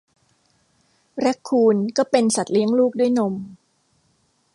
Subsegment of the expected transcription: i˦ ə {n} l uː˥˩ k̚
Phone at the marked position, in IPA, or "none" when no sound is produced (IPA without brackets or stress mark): ŋ